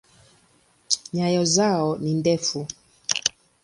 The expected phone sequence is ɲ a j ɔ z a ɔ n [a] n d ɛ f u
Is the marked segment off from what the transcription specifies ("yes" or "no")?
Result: yes